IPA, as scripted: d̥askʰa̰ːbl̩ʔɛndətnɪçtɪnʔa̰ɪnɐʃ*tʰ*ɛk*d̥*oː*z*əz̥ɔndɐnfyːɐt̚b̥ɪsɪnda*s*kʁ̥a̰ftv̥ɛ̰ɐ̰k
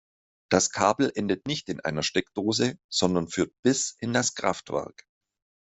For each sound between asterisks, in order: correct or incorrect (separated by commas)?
incorrect, correct, correct, correct